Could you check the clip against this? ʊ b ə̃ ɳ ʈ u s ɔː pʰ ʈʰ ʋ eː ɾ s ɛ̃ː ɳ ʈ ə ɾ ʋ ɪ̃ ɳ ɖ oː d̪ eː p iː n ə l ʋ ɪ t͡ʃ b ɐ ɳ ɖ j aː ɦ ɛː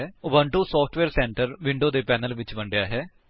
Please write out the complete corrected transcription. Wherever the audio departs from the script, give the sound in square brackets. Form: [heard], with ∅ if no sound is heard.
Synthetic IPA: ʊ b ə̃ ɳ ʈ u s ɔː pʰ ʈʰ ʋ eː ɾ s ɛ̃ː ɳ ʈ ə ɾ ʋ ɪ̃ ɳ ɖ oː d̪ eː p [ɛː] n ə l ʋ ɪ t͡ʃ b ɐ ɳ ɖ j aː ɦ ɛː